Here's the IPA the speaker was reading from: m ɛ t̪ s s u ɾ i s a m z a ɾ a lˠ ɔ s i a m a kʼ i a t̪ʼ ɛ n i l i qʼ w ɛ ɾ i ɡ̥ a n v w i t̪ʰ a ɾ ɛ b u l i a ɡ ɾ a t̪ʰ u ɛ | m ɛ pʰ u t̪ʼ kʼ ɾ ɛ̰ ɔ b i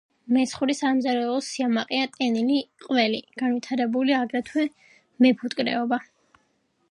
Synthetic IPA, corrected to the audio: m ɛ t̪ s χ u ɾ i s a m z a ɾ ɛ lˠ ɔ s i a m a qʼ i a t̪ʼ ɛ n i l i qʼ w ɛ l i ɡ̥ a n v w i t̪ʰ a ɾ ɛ b u l i a ɡ ɾ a t̪ʰ w ɛ | m ɛ pʰ u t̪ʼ kʼ ɾ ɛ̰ ɔ b a